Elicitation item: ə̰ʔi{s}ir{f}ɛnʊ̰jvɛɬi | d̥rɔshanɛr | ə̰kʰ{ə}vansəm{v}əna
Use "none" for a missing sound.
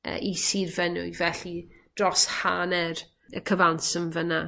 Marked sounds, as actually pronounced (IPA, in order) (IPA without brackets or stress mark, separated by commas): s, v, ə, v